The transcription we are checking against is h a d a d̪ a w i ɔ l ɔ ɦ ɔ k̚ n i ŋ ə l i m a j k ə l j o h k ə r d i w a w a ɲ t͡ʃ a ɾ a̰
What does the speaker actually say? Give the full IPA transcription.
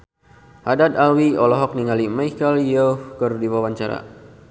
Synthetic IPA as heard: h a d a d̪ a w i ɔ l ɔ ɦ ɔ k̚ n i ŋ a l i m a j k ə l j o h k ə r d i w a w a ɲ t͡ʃ a ɾ a̰

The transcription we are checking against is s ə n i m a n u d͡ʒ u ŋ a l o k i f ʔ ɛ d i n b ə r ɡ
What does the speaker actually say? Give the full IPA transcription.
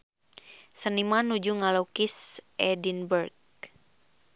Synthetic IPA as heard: s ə n i m a n u d͡ʒ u ŋ a l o k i s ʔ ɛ d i n b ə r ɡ

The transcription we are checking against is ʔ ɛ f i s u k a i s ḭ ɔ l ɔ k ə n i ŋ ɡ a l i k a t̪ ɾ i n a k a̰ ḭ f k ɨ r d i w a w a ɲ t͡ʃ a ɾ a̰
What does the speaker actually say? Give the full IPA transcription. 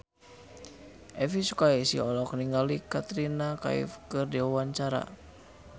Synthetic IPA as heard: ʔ ɛ f i s u k a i s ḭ ɔ l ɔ k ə n i ŋ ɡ a l i k a t̪ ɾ i n a k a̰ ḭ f k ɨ r d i w a w a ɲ t͡ʃ a ɾ a̰

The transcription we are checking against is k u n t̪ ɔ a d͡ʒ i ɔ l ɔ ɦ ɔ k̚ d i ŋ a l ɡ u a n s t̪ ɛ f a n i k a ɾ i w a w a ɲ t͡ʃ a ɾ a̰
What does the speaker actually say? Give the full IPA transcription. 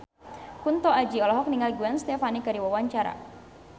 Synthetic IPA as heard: k u n t̪ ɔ a d͡ʒ i ɔ l ɔ ɦ ɔ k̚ n i ŋ a l ɡ u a n s t̪ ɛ f a n i k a ɾ i w a w a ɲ t͡ʃ a ɾ a̰

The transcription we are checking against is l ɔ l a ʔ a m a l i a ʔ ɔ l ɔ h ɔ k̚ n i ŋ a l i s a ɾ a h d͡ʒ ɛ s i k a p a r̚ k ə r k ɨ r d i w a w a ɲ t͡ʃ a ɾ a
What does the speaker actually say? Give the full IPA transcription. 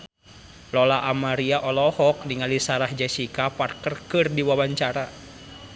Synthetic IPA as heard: l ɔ l a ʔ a m a ɾ i a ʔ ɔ l ɔ h ɔ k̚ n i ŋ a l i s a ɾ a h d͡ʒ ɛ s i k a p a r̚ k ə r k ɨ r d i w a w a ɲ t͡ʃ a ɾ a

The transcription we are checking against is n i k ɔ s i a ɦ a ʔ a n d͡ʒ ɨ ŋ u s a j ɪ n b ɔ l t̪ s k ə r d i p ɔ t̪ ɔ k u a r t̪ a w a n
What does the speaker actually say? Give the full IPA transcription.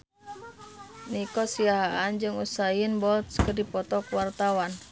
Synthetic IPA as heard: n i k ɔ s i a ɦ a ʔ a n d͡ʒ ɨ ŋ u s a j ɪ n b ɔ l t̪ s k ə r d i p ɔ t̪ ɔ k w a r t̪ a w a n

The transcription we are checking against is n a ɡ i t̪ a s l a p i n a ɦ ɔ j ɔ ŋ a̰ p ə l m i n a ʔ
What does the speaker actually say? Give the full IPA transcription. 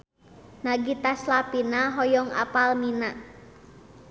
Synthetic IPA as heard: n a ɡ i t̪ a s l a p i n a ɦ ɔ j ɔ ŋ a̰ p a l m i n a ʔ

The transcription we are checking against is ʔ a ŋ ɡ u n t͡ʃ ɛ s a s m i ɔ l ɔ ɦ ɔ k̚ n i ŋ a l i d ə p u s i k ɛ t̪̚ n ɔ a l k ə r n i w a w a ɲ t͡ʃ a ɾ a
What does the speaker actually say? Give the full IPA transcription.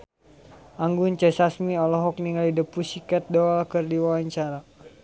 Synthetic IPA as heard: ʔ a ŋ ɡ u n t͡ʃ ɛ s a s m i ɔ l ɔ ɦ ɔ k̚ n i ŋ a l i d ə p u s i k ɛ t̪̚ d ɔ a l k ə r d i w a w a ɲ t͡ʃ a ɾ a

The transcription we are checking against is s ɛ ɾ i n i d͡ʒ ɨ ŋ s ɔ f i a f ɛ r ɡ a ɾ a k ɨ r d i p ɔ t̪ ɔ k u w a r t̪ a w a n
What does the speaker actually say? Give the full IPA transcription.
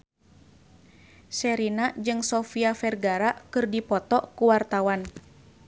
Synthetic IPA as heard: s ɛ ɾ i n a d͡ʒ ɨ ŋ s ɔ f i a f ɛ r ɡ a ɾ a k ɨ r d i p ɔ t̪ ɔ k u w a r t̪ a w a n

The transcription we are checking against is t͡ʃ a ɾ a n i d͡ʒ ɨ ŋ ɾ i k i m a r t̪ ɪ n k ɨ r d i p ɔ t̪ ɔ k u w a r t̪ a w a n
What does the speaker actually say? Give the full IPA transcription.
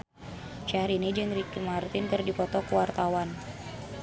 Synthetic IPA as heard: t͡ʃ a ɾ i n i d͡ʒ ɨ ŋ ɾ i k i m a r t̪ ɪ n k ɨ r d i p ɔ t̪ ɔ k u w a r t̪ a w a n

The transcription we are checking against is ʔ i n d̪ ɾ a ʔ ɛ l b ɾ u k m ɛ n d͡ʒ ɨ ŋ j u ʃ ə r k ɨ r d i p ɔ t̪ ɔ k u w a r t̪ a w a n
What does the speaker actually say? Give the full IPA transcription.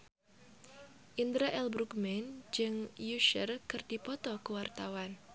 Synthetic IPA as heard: ʔ i n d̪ ɾ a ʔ ɛ l b ɾ u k m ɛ n d͡ʒ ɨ ŋ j u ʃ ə r k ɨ r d i p ɔ t̪ ɔ k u w a r t̪ a w a n

